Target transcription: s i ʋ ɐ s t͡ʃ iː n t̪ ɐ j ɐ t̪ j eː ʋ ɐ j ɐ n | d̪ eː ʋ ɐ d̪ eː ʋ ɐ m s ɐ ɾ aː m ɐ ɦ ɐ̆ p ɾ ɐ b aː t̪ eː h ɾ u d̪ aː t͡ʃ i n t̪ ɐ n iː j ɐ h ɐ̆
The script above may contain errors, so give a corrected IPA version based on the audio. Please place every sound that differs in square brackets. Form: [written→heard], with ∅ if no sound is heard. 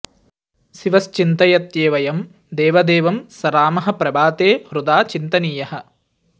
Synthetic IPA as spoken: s i ʋ ɐ s t͡ʃ [iː→i] n t̪ ɐ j ɐ t̪ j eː ʋ ɐ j ɐ [n→m] | d̪ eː ʋ ɐ d̪ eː ʋ ɐ m s ɐ ɾ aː m ɐ ɦ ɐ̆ p ɾ ɐ b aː t̪ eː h ɾ u d̪ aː t͡ʃ i n t̪ ɐ n iː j ɐ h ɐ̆